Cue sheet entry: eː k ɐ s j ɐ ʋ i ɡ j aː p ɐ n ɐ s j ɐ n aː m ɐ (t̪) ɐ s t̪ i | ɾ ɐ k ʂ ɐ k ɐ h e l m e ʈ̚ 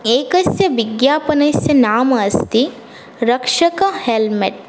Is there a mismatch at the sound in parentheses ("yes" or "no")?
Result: yes